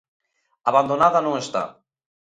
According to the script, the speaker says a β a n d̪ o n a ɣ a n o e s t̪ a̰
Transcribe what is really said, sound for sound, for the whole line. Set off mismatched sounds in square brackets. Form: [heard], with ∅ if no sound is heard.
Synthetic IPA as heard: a β a n d̪ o n a [ð] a n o e s t̪ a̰